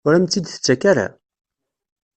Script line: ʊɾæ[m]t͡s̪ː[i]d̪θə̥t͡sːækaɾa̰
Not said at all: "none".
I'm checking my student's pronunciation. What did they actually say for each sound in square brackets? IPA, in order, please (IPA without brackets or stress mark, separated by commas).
m, i